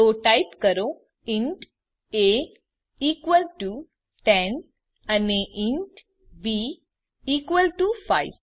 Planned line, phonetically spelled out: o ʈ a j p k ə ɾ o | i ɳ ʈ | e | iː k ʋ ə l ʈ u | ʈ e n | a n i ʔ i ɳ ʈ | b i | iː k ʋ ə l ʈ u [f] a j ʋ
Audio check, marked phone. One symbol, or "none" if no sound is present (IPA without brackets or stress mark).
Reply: f